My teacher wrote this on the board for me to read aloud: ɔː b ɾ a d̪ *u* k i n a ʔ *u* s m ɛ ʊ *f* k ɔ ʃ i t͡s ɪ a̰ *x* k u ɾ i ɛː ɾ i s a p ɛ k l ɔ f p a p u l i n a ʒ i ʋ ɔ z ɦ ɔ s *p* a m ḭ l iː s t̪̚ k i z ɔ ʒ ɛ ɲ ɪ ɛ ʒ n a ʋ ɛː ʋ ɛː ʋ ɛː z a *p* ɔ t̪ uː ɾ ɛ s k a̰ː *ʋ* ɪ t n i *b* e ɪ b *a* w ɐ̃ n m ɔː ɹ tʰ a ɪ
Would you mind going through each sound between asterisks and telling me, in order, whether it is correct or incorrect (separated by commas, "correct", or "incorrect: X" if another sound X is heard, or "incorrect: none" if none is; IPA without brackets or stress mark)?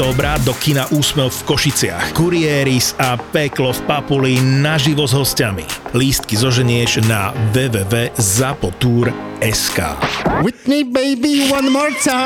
incorrect: ɔ, incorrect: uː, correct, correct, incorrect: c, correct, incorrect: w, correct, incorrect: i